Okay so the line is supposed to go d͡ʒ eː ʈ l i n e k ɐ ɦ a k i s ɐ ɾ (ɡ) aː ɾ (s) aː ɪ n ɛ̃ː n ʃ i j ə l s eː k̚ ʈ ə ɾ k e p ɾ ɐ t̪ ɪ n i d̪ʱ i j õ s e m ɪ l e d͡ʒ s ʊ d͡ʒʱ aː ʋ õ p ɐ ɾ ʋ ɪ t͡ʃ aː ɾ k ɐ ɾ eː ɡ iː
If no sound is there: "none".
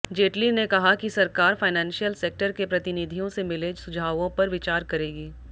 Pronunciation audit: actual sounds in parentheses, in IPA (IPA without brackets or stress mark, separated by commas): k, f